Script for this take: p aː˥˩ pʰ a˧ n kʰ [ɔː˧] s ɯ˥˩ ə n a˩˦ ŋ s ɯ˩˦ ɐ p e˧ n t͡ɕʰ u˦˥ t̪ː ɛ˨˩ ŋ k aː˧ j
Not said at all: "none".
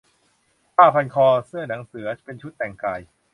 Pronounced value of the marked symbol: ɔː˧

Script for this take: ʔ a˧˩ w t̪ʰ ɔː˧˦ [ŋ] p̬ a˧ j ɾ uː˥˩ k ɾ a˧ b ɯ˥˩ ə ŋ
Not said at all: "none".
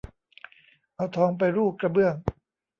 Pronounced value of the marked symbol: ŋ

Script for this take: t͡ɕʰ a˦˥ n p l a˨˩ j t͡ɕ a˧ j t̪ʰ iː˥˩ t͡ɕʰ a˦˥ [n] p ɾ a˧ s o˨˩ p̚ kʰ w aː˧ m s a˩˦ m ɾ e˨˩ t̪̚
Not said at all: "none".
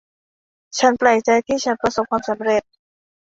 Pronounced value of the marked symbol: n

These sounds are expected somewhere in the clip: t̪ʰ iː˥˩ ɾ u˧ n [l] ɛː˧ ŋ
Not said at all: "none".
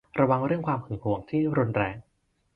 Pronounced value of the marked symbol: ɾ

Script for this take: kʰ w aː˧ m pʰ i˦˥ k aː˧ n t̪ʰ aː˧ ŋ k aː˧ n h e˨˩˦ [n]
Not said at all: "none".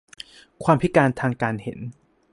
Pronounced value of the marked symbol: n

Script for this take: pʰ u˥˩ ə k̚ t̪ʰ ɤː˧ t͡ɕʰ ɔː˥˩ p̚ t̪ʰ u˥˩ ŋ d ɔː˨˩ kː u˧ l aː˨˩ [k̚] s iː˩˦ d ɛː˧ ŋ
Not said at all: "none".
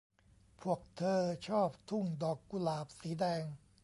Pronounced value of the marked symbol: p̚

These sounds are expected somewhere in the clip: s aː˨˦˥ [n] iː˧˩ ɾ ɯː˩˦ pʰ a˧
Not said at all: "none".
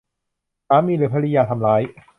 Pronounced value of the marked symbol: m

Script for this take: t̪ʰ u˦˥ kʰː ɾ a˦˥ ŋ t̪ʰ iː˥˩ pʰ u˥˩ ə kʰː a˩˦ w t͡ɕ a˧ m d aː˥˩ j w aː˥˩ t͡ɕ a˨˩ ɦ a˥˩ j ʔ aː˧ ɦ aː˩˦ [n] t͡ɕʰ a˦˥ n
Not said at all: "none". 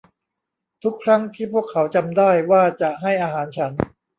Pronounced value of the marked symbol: n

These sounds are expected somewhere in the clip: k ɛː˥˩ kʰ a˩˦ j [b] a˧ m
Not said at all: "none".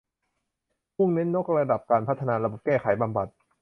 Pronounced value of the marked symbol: b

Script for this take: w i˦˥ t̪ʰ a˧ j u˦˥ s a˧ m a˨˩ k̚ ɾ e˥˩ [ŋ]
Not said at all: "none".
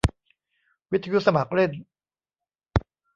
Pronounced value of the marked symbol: n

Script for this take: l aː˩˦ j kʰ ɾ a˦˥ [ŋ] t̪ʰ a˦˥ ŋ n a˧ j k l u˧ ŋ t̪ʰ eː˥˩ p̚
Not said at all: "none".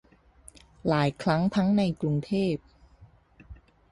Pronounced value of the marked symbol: ŋ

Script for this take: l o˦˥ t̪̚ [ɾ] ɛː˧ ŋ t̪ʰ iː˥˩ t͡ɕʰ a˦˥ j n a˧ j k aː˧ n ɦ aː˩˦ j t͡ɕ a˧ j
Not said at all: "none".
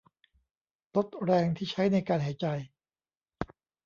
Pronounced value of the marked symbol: ɾ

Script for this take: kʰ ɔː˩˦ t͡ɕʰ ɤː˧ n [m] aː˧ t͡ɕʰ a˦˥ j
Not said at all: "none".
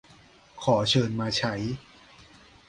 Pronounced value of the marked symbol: m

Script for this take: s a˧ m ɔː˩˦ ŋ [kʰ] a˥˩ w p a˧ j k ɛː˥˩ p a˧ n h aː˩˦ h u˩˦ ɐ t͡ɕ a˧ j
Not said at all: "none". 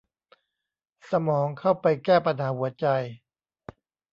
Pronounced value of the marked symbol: kʰ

